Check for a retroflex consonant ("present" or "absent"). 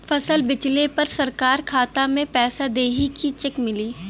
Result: absent